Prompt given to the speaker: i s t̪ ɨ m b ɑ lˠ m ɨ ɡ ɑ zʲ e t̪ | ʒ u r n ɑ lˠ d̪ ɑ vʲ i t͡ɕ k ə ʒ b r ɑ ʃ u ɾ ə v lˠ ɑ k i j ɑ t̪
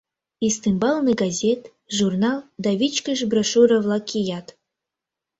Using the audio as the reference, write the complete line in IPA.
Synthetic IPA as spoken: i s t̪ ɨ m b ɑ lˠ n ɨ ɡ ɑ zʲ e t̪ | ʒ u r n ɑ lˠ d̪ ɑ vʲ i t͡ɕ k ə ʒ b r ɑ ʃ u ɾ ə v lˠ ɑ k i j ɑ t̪